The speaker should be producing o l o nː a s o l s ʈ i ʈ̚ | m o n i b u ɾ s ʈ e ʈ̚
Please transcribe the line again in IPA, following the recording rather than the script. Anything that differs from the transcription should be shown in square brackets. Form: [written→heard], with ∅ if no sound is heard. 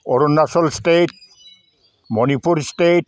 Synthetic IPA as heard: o [l→ɾ] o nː a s o l s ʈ [i→e] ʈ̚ | m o n i [b→p] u ɾ s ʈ e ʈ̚